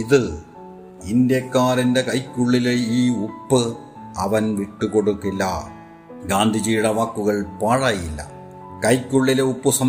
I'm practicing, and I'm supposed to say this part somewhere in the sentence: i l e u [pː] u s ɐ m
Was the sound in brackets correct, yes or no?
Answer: yes